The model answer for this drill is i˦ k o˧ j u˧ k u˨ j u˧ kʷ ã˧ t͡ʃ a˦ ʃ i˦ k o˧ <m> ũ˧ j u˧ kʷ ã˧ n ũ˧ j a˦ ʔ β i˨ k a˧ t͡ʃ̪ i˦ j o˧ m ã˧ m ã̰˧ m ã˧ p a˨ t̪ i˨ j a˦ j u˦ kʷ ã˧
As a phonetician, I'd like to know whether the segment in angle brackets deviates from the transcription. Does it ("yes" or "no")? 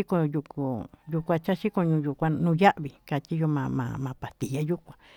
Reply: yes